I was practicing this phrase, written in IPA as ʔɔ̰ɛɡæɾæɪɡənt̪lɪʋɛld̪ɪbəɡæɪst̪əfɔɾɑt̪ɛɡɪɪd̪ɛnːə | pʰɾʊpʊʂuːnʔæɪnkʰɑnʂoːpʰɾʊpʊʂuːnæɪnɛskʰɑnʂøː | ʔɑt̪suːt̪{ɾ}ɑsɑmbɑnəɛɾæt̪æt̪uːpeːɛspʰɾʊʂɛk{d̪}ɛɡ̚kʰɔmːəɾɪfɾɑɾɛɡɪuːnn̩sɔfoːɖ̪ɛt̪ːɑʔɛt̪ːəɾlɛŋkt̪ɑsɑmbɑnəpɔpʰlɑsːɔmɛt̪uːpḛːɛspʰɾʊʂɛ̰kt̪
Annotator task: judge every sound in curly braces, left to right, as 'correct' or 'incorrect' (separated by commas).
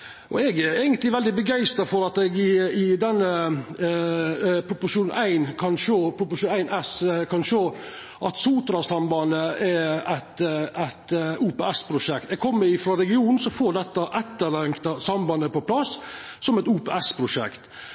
correct, incorrect